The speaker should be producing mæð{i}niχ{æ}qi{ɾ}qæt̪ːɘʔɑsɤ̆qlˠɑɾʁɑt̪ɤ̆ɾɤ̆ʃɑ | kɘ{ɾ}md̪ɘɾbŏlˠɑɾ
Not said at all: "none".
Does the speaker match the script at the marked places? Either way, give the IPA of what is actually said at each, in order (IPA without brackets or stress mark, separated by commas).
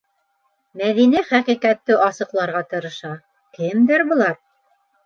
i, æ, none, none